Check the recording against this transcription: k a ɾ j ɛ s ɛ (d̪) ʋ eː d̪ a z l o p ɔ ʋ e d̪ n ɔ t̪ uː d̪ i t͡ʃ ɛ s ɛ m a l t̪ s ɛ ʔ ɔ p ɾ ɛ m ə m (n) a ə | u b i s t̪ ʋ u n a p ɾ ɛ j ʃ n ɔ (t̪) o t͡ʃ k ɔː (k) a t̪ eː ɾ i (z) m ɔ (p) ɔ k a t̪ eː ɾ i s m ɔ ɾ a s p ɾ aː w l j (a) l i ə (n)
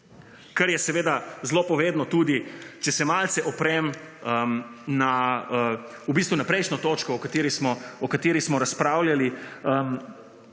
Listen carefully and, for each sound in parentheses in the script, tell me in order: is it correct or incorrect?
incorrect: none, correct, correct, correct, incorrect: s, incorrect: none, correct, incorrect: m

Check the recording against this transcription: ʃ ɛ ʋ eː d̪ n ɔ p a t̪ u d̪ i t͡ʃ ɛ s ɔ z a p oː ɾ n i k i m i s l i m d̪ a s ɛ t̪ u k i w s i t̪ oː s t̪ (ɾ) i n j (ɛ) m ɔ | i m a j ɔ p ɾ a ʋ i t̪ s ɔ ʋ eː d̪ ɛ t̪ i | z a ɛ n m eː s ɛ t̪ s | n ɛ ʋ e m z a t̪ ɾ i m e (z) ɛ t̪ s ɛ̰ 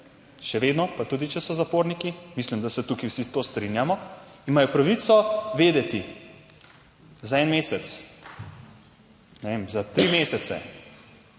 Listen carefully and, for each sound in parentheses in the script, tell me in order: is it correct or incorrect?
correct, incorrect: a, incorrect: s

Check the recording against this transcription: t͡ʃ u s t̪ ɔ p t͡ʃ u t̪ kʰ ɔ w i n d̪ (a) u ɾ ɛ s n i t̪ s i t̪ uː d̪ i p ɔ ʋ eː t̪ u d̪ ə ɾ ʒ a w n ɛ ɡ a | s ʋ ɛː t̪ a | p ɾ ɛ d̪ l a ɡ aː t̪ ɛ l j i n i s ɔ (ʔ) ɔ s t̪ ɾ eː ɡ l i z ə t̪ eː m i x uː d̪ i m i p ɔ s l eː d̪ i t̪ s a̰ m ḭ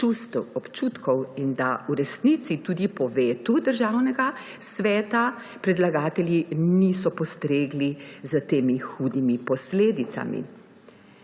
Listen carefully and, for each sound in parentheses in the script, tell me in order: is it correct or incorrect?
correct, incorrect: p

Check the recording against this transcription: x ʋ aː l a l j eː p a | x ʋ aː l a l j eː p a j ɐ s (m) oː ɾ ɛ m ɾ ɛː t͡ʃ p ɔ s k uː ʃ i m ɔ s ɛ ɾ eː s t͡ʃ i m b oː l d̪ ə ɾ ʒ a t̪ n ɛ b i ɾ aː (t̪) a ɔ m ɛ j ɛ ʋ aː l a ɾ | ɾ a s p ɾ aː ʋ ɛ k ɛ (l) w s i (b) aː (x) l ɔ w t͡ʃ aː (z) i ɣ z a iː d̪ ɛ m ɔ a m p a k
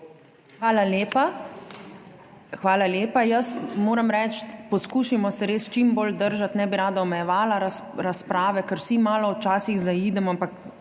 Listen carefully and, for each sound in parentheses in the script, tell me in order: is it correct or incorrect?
correct, incorrect: d̪, incorrect: ɾ, incorrect: m, incorrect: none, incorrect: s

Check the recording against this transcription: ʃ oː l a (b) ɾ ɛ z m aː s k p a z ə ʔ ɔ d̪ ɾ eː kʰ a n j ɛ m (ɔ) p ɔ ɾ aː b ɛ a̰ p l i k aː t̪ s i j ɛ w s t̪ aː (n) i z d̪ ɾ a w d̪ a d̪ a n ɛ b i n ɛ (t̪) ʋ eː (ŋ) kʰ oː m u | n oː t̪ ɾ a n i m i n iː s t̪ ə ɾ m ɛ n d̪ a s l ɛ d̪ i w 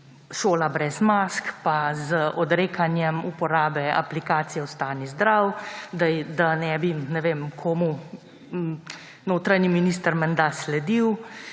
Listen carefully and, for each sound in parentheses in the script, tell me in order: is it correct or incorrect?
correct, incorrect: u, correct, incorrect: none, incorrect: m

